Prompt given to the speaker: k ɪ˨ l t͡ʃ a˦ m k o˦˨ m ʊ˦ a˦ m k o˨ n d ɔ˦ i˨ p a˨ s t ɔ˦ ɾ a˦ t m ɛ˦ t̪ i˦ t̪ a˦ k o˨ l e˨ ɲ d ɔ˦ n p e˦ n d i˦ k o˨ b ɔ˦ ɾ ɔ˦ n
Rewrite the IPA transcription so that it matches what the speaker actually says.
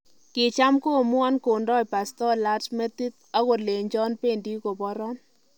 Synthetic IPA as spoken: k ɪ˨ t͡ʃ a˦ m k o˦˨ m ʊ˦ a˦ n k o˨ n d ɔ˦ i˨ p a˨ s t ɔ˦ l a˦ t m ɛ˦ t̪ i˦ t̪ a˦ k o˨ l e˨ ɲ d͡ʒ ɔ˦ n p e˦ n d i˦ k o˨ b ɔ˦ ɾ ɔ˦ n

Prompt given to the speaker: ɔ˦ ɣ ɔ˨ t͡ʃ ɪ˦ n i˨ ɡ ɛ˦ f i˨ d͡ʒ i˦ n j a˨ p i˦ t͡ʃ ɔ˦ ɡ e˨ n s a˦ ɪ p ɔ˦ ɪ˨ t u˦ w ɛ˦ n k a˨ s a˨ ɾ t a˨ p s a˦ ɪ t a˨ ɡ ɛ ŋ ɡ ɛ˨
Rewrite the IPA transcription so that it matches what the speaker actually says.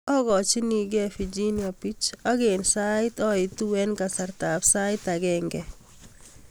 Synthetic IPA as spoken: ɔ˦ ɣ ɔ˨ t͡ʃ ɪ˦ n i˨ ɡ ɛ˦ f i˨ d͡ʒ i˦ n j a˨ p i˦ t͡ʃ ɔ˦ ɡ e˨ n s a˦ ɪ t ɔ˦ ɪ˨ t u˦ w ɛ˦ n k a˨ s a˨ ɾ t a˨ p s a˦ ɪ t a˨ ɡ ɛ ŋ ɡ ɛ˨

